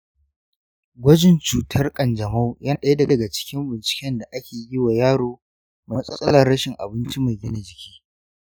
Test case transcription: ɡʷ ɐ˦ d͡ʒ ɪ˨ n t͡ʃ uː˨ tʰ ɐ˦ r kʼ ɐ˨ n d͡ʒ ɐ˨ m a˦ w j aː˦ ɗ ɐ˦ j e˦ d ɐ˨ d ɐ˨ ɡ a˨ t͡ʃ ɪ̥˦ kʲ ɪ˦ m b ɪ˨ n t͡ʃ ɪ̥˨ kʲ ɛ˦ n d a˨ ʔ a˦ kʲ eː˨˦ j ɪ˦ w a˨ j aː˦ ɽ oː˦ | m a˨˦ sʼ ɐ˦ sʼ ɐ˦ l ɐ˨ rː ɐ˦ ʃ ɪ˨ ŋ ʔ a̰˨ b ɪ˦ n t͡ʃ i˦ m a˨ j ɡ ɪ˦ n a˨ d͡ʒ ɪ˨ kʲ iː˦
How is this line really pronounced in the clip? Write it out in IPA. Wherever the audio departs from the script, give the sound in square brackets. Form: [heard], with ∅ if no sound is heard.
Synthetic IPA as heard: ɡʷ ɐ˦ d͡ʒ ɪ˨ n t͡ʃ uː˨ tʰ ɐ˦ r kʼ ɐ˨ n d͡ʒ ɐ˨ m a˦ w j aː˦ ɗ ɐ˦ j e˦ d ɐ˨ d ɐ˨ ɡ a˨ t͡ʃ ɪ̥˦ kʲ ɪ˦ m b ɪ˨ n t͡ʃ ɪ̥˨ kʲ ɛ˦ n d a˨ ʔ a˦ kʲ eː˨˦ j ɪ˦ w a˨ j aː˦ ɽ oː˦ | m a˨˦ sʼ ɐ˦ sʼ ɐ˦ l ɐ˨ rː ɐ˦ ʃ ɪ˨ ŋ ʔ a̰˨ b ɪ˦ n t͡ʃ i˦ m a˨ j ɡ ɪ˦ n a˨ d͡ʒ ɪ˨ kʲ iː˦